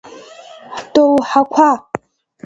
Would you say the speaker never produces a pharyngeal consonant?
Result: no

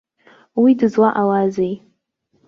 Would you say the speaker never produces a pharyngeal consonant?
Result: yes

